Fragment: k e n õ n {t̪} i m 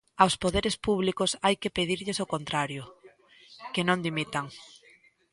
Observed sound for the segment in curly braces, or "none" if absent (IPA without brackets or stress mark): d̪